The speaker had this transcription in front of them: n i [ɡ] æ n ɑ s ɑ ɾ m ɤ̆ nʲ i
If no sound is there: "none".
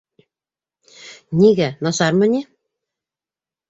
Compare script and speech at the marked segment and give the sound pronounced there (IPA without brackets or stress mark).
ɡ